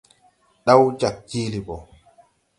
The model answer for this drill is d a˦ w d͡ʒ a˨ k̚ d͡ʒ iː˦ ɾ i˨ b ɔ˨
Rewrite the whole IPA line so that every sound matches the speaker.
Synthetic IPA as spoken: ɗ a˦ w d͡ʒ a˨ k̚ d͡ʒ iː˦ l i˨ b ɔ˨